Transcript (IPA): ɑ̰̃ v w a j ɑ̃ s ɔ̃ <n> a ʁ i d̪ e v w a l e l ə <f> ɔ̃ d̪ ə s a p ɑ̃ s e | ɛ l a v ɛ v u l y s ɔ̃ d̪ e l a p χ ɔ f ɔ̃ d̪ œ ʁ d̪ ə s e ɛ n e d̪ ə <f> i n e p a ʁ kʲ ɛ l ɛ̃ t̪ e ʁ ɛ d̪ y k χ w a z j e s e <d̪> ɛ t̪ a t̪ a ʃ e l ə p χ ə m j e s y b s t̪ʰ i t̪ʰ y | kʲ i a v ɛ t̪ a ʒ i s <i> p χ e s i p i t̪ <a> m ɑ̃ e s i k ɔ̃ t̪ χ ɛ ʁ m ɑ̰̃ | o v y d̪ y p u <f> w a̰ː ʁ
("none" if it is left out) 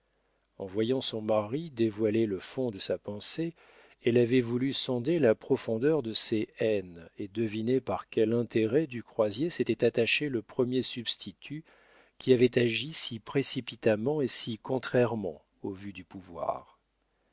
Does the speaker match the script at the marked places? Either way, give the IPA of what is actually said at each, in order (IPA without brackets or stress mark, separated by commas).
m, f, v, t̪, i, a, v